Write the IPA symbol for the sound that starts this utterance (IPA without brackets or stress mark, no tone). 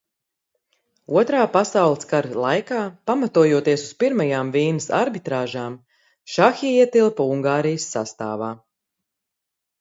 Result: u